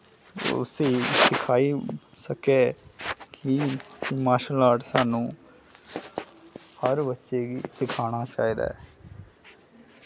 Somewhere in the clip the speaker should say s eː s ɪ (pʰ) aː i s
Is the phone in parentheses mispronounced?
yes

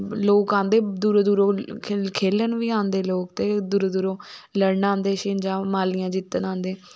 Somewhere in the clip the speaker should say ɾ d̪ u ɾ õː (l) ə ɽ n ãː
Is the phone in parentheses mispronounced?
no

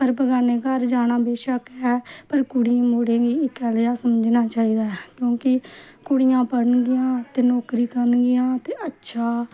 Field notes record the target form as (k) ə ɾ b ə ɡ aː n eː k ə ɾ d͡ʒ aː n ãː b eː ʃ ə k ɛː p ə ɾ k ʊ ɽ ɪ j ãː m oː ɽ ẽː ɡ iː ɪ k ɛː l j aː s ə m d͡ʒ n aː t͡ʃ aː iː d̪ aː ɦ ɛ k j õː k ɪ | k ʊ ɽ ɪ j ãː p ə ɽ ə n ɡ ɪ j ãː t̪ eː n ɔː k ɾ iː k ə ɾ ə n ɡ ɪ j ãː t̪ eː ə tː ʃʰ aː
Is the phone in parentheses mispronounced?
yes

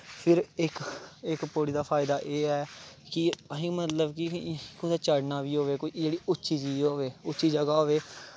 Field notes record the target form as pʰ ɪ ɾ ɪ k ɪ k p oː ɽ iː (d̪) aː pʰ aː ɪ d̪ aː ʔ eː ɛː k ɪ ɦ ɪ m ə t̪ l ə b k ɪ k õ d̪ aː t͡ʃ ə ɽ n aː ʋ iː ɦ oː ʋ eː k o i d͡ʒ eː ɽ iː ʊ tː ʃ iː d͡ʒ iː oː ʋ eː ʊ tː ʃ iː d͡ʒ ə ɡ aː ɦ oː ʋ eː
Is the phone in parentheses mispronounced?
no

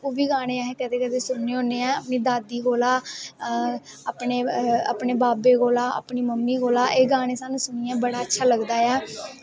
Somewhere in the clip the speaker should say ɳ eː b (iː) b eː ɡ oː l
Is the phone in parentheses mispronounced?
yes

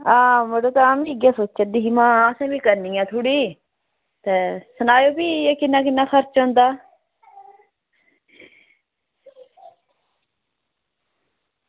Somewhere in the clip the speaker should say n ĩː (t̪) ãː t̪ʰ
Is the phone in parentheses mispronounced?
yes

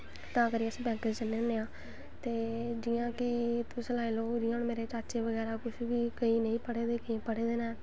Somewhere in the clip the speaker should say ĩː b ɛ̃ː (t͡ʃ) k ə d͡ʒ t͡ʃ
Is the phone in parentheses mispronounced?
yes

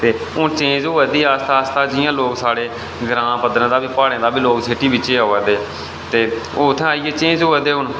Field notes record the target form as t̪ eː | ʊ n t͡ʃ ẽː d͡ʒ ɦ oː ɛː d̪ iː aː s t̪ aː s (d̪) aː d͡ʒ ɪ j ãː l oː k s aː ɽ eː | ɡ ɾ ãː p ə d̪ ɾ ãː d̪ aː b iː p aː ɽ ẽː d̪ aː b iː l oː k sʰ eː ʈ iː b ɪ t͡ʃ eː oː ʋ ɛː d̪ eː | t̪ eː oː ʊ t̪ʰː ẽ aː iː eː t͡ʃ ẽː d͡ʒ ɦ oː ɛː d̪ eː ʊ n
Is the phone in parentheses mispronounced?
yes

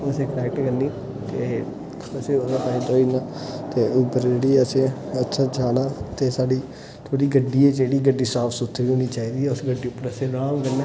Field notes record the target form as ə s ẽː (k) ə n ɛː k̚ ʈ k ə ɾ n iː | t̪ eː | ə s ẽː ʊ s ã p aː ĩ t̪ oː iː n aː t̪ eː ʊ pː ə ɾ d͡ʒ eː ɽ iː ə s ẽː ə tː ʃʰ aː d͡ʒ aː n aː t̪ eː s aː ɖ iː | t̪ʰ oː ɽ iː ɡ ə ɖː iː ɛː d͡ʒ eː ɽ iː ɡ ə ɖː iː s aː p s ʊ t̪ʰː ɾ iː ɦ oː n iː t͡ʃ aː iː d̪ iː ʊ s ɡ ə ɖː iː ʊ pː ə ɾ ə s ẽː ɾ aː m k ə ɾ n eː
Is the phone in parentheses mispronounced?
no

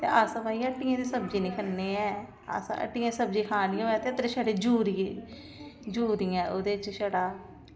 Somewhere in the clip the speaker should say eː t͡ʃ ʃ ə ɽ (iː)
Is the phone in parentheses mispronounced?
yes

